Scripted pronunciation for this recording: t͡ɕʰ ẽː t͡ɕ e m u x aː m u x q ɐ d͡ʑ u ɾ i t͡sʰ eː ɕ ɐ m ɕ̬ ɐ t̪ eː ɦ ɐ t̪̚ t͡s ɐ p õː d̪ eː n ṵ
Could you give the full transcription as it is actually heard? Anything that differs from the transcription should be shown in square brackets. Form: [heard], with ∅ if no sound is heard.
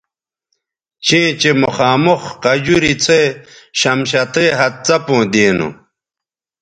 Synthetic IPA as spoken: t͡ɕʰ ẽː t͡ɕ e m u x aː m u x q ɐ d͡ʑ u ɾ i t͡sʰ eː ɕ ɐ m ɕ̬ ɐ t̪ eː ɦ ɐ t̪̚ t͡s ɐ p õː d̪ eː n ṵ